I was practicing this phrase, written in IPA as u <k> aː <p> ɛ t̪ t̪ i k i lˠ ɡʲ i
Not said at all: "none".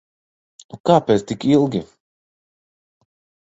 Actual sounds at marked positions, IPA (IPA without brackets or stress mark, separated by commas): k, p